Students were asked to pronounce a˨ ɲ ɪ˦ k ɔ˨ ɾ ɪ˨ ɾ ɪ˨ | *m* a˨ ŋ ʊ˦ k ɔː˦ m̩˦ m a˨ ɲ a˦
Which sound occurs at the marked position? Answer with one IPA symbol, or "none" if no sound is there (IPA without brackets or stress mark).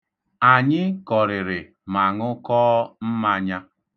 m